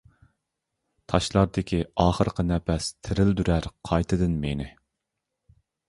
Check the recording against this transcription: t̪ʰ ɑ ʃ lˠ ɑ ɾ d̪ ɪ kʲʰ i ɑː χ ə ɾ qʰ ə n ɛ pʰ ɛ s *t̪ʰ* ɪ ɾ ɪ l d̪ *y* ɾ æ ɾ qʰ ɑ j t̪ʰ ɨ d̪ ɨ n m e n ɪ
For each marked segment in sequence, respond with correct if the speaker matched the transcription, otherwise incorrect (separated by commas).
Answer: correct, correct